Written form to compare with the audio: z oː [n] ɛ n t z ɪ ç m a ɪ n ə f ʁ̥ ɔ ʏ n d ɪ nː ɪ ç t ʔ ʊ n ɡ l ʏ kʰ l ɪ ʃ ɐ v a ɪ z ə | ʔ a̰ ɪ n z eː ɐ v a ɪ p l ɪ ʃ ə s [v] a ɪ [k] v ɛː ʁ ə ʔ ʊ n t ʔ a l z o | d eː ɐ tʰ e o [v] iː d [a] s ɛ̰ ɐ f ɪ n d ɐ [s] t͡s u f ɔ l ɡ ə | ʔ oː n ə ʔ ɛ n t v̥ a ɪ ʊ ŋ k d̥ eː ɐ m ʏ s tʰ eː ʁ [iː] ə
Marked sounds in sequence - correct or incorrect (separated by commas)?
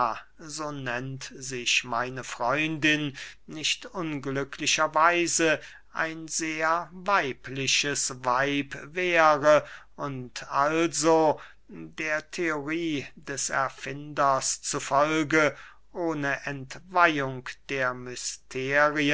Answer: correct, correct, incorrect, incorrect, incorrect, correct, incorrect